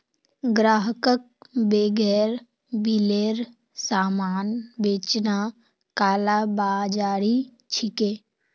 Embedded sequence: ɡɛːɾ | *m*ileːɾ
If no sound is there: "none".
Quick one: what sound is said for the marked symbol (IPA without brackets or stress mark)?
b